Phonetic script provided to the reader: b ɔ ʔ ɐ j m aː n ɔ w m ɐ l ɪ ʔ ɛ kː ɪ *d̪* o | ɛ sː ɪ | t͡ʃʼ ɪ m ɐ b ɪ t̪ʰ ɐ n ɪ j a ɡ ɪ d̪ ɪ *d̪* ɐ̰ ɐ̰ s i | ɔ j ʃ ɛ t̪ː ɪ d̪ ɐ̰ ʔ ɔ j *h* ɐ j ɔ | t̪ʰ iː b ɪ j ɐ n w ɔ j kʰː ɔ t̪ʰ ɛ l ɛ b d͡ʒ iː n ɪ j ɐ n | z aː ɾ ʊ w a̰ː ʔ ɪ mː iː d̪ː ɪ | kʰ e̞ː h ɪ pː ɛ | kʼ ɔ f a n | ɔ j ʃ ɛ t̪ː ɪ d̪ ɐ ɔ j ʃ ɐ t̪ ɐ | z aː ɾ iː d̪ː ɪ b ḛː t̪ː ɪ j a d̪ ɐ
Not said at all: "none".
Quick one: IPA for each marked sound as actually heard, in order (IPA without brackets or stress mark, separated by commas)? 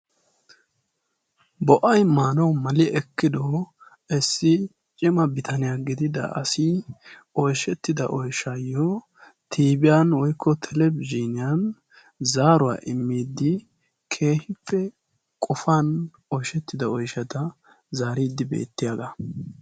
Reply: d̪, d̪, ʃ